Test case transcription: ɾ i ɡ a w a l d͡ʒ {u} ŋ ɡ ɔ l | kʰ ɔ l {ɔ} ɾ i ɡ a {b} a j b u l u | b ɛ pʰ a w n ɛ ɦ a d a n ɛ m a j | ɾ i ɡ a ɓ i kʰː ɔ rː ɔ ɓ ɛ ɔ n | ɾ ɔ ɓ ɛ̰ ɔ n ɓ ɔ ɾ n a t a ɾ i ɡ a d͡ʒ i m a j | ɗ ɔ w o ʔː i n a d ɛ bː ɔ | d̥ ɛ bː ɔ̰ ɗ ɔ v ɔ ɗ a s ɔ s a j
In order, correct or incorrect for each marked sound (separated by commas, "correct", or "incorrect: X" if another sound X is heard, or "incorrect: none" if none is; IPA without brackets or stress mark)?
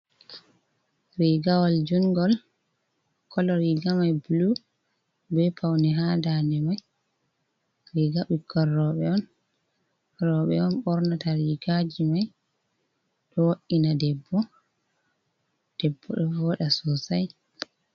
correct, correct, incorrect: m